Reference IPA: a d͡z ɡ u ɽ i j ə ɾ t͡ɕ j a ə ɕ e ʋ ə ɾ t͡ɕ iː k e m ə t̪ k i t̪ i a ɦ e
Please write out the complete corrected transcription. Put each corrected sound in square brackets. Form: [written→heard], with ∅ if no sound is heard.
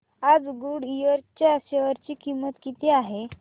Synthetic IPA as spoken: a d͡z ɡ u ɽ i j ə ɾ t͡ɕ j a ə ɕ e ʋ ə ɾ t͡ɕ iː k [e→i] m ə t̪ k i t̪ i a ɦ e